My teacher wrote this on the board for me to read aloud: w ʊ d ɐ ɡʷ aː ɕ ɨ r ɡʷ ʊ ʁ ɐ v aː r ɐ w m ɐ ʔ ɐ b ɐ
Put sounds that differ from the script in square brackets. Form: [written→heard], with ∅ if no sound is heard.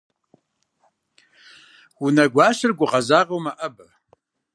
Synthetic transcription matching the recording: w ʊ [d→n] ɐ ɡʷ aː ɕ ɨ r ɡʷ ʊ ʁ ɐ [v→z] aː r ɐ w m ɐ ʔ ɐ b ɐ